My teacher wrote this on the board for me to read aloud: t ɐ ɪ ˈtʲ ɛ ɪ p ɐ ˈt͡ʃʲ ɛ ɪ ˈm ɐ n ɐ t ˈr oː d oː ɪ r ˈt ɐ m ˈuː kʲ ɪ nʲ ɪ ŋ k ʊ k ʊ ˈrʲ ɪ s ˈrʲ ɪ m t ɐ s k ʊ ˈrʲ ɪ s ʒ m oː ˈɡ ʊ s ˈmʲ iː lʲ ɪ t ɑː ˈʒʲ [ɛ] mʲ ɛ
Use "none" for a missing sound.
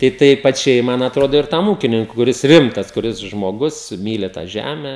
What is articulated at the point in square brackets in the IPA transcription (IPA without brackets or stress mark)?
æ